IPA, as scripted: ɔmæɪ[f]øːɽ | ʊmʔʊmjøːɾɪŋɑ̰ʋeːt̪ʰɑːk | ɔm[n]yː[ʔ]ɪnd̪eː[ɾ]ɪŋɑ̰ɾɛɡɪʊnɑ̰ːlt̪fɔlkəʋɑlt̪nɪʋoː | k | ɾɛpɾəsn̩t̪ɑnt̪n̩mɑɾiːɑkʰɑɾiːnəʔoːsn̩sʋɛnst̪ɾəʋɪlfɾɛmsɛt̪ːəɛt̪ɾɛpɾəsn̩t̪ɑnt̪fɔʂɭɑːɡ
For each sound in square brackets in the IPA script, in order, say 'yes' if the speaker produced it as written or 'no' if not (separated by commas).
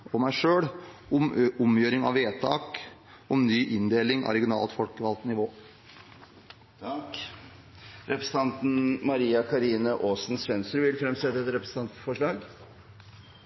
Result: no, yes, yes, no